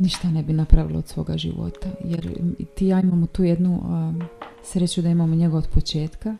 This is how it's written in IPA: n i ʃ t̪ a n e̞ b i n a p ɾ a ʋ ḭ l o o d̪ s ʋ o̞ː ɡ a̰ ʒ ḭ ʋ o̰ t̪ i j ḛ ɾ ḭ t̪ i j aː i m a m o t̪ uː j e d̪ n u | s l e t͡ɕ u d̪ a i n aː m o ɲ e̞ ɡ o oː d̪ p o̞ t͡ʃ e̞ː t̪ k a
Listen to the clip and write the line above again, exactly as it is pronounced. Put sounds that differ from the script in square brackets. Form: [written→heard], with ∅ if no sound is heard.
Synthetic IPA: n i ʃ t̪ a n e̞ b i n a p ɾ a ʋ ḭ l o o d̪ s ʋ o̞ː ɡ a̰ ʒ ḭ ʋ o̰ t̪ [i→a] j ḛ ɾ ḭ t̪ i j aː i m a m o t̪ uː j e d̪ n u | s [l→ɾ] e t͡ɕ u d̪ a i [n→m] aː m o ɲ e̞ ɡ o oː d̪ p o̞ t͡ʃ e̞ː t̪ k a